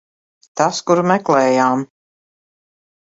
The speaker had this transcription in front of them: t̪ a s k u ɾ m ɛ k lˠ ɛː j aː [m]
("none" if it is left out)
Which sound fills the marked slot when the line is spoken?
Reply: m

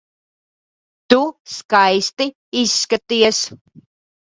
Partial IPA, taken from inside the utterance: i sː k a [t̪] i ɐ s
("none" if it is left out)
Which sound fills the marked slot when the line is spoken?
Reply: t̪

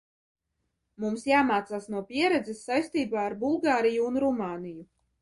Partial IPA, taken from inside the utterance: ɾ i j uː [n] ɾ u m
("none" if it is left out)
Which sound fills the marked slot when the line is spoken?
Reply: n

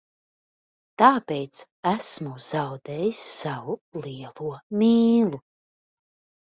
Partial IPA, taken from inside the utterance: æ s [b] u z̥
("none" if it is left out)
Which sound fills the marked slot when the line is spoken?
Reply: m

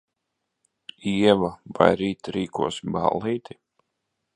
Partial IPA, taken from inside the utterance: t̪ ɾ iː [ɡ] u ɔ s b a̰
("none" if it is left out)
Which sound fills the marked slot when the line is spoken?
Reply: k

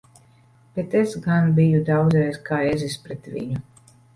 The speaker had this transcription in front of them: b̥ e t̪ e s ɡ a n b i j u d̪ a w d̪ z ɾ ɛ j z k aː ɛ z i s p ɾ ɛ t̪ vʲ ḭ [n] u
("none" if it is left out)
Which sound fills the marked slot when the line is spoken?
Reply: ɲ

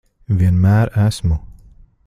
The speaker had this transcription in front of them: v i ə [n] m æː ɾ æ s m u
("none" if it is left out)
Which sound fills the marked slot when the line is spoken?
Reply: n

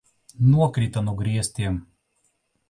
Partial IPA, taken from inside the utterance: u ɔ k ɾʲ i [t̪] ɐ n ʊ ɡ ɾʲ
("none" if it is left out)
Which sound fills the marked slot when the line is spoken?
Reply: t̪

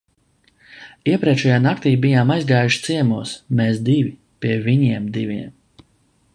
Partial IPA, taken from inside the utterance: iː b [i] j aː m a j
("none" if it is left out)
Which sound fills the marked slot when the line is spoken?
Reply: i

